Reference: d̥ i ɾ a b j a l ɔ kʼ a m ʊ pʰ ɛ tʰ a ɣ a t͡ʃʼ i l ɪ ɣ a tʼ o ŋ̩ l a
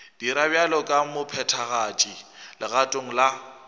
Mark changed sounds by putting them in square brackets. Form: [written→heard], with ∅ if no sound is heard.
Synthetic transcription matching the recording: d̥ i ɾ a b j a l ɔ kʼ a m ʊ pʰ ɛ tʰ a ɣ a t͡ʃʼ i l ɪ ɣ a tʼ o ŋ̩ l a